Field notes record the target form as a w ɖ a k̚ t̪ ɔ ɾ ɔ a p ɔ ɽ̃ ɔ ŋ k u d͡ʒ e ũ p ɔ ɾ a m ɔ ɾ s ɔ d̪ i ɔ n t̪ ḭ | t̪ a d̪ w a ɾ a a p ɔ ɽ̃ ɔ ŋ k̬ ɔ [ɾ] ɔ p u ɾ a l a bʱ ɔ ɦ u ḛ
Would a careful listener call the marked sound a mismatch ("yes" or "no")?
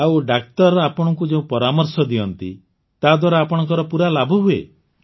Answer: no